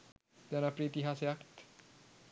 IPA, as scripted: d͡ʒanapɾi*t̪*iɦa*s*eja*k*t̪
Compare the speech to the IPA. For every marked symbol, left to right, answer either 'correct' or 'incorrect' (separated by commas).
correct, correct, correct